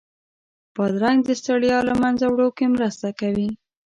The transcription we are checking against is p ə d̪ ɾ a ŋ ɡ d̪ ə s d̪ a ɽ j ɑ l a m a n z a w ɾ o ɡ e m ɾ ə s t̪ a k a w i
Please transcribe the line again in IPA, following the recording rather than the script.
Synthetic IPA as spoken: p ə d̪ ɾ a ŋ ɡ d̪ ə s t̪ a ɽ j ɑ l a m a n z a w ɽ o k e m ɾ ə s t̪ a k a w i